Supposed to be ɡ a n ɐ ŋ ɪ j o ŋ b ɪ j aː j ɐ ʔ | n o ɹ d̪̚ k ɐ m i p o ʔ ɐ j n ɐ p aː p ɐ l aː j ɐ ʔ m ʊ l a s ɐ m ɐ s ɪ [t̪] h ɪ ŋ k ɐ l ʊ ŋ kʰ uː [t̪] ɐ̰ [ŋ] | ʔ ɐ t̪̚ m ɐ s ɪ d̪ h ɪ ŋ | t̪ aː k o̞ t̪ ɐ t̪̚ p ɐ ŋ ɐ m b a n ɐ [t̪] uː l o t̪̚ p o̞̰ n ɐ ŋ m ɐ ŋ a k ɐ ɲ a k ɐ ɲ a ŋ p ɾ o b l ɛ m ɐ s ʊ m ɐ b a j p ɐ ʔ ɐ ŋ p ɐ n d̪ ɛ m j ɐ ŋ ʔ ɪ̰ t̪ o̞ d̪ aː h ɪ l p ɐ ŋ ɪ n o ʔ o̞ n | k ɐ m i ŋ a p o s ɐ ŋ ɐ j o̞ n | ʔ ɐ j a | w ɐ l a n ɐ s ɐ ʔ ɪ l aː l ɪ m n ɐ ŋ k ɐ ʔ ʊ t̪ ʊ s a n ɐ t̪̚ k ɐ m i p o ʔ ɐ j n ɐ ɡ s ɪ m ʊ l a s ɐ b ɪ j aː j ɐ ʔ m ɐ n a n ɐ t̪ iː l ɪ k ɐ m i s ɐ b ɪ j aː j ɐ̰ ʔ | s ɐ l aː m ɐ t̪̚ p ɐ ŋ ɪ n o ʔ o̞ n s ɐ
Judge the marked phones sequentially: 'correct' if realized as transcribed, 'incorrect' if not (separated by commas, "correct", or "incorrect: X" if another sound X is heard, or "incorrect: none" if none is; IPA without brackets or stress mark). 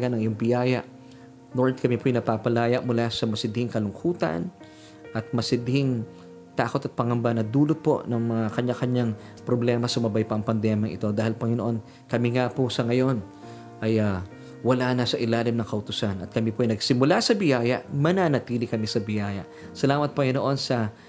incorrect: d̪, correct, incorrect: n, incorrect: d̪